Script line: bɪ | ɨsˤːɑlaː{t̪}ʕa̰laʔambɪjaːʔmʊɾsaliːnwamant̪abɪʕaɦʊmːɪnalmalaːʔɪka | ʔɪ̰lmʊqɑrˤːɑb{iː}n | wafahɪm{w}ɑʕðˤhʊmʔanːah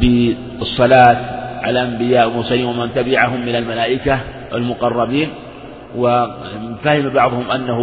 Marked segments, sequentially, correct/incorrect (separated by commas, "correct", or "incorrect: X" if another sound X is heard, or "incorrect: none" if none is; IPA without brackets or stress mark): correct, correct, incorrect: b